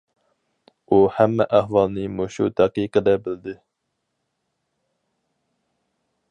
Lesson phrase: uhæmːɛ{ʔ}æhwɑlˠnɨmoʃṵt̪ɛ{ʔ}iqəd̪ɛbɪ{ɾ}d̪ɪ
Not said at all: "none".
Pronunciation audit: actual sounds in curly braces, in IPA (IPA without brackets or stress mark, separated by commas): ʔ, q, l